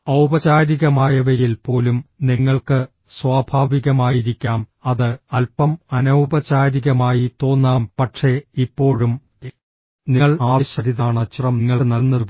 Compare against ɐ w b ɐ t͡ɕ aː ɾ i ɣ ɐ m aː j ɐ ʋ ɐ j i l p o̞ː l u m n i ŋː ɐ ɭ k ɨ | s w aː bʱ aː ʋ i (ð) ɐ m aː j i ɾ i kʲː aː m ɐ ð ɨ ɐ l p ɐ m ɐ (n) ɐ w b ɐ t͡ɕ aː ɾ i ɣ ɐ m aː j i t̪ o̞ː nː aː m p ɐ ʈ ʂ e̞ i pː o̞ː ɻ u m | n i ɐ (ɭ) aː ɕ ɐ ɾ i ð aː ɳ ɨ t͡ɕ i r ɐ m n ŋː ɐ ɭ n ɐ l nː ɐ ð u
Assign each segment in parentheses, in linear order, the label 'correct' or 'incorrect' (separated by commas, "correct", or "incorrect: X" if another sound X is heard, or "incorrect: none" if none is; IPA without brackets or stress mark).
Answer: incorrect: ɣ, correct, correct